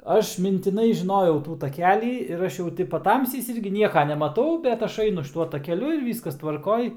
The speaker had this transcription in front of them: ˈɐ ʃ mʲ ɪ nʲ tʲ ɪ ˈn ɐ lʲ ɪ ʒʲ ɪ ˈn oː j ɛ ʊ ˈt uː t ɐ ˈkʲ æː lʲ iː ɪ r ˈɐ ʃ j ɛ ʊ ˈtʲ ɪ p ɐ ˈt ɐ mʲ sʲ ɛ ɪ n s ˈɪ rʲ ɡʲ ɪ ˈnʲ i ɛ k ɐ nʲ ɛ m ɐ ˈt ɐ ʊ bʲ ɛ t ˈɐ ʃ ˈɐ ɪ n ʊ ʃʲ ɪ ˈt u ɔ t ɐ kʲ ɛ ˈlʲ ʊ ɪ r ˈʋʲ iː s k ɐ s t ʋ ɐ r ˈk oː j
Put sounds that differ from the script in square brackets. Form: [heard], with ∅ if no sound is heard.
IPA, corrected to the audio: ˈɐ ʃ mʲ ɪ nʲ tʲ ɪ ˈn ɐ [∅] ɪ ʒʲ ɪ ˈn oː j ɛ ʊ ˈt uː t ɐ ˈkʲ æː lʲ iː ɪ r ˈɐ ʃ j ɛ ʊ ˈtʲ ɪ p ɐ ˈt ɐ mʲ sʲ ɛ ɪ [∅] s ˈɪ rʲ ɡʲ ɪ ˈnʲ i ɛ k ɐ nʲ ɛ m ɐ ˈt ɐ ʊ bʲ ɛ t ˈɐ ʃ ˈɐ ɪ n ʊ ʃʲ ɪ ˈt u ɔ t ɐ kʲ ɛ ˈlʲ ʊ ɪ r ˈʋʲ iː s k ɐ s t ʋ ɐ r ˈk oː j